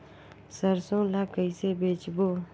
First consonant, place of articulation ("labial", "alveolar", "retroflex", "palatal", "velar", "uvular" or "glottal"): alveolar